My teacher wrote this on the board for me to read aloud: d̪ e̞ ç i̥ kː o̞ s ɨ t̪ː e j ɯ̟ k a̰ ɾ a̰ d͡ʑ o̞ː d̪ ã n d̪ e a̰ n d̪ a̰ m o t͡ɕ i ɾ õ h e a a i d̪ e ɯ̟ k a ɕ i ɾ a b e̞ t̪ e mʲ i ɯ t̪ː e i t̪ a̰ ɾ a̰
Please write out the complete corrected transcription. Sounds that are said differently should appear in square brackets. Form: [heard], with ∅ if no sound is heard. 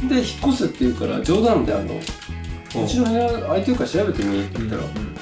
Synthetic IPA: d̪ e̞ ç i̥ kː o̞ s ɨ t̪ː e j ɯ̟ k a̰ ɾ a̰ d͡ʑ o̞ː d̪ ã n d̪ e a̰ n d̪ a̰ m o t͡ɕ i ɾ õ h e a a i [t̪] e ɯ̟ k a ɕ i ɾ a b e̞ t̪ e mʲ i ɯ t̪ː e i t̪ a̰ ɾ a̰